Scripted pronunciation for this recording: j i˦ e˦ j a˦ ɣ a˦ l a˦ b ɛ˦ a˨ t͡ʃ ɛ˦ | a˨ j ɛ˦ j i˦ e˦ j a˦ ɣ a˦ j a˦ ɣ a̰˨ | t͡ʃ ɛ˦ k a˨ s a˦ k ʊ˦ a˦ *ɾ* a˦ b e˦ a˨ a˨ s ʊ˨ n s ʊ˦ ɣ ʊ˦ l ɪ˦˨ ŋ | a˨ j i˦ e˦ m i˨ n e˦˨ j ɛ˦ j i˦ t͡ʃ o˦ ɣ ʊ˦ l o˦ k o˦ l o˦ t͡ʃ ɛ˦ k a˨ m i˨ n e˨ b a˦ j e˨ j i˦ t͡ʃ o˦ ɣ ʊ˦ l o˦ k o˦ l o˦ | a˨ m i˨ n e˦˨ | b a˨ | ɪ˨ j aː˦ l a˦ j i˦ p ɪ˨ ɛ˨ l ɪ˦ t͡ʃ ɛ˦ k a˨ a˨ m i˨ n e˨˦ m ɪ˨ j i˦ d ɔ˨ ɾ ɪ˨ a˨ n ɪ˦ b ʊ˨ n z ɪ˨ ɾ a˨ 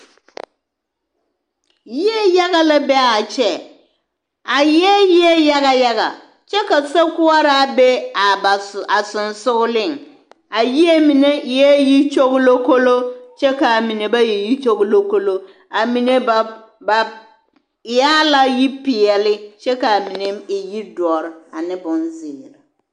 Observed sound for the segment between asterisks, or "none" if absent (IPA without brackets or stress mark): ɾ